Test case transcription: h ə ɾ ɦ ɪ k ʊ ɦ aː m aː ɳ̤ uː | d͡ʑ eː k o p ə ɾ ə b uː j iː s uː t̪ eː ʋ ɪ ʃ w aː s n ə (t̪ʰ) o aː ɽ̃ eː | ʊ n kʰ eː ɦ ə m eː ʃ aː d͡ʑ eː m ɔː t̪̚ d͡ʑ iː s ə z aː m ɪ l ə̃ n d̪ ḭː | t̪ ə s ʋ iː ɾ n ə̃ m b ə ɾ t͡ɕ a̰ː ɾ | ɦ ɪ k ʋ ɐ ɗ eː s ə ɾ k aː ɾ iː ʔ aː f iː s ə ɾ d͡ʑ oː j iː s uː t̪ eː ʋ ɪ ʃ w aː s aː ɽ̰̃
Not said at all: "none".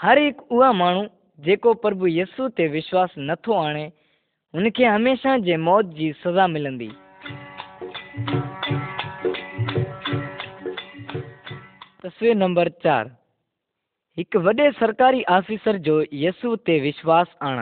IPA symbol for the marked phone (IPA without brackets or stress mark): t̪ʰ